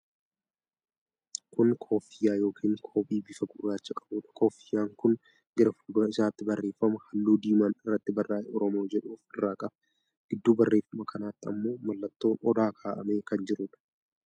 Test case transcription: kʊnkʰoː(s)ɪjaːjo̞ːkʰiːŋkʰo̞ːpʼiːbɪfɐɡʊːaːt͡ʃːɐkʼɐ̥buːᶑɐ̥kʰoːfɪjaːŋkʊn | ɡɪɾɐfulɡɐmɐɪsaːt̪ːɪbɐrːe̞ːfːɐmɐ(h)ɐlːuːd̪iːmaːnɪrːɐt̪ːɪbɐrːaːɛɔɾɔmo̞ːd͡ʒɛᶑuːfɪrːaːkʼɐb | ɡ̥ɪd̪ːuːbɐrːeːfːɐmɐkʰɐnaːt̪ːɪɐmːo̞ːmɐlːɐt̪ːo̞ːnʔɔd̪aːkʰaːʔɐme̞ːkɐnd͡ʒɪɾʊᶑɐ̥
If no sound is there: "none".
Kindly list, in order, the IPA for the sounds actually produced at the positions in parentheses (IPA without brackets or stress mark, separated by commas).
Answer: f, h